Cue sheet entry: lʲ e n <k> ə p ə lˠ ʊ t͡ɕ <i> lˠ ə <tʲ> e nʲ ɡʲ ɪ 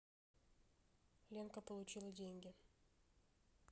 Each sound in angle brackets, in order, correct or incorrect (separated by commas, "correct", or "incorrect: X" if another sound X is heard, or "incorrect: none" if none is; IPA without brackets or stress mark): correct, correct, incorrect: dʲ